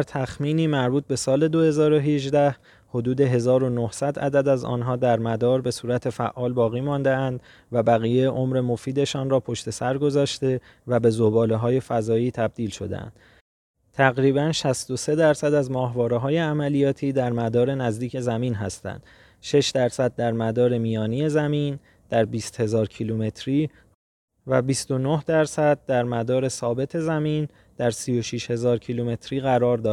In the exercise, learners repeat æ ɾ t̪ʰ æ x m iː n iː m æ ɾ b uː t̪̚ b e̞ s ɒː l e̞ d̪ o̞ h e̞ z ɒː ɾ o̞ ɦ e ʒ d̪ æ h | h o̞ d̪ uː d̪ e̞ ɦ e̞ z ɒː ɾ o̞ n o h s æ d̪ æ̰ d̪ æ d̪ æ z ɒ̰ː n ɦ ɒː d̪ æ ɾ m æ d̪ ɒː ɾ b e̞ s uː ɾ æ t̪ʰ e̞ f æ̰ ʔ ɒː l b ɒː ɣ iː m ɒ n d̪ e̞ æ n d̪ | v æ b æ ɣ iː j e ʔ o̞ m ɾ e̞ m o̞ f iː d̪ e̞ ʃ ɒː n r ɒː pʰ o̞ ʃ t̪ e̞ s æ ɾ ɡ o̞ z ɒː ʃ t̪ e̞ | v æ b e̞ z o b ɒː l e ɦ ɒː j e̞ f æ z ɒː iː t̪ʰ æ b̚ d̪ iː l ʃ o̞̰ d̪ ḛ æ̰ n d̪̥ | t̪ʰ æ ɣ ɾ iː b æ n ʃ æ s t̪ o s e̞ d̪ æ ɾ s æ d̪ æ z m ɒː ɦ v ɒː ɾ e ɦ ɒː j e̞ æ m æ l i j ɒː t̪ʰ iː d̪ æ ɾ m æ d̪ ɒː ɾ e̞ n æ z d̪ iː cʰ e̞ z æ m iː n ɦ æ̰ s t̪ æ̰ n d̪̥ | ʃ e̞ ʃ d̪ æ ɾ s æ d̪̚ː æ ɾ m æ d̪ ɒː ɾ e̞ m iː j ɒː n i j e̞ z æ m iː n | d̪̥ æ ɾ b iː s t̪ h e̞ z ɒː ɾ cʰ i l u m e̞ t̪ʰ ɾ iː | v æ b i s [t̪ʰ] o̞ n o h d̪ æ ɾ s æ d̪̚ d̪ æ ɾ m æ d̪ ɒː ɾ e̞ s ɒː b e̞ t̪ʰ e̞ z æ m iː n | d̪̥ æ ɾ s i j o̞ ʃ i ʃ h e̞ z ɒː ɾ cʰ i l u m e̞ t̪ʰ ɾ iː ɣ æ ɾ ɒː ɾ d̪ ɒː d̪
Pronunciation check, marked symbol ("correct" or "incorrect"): incorrect